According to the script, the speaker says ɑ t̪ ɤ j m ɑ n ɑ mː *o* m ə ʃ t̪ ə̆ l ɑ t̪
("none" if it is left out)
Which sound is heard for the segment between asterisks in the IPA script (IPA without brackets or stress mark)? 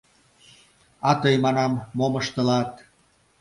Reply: o